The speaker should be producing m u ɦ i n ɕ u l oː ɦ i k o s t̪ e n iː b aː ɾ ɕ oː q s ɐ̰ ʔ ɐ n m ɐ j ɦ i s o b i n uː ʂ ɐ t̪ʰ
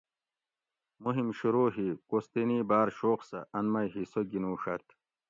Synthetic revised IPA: m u ɦ i m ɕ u ɾ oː ɦ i k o s t̪ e n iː b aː ɾ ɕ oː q s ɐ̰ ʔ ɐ n m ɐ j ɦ i s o ɡ i n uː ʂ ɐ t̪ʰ